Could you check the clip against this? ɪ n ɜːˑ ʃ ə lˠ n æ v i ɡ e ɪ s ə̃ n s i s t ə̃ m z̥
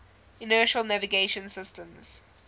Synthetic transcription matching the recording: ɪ n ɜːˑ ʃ ə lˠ n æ v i ɡ e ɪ ʃ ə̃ n s ɪ s t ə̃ m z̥